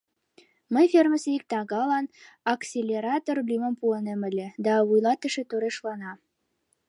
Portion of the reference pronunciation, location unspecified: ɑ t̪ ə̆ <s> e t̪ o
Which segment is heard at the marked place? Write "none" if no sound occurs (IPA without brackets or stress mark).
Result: ʃ